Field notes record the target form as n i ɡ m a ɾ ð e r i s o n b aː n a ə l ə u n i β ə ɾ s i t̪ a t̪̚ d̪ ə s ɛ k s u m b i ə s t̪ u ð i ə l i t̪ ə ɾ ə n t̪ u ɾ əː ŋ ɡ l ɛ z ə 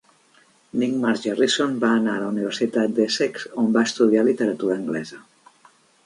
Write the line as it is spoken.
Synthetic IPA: n i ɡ m a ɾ ʒ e r i s o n b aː n a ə l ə u n i β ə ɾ s i t̪ a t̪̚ d̪ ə s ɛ k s o m b a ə s t̪ u ð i a l i t̪ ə ɾ ə t̪ u ɾ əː ŋ ɡ l ɛ z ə